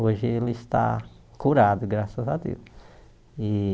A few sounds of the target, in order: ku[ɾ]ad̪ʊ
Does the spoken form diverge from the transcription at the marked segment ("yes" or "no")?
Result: no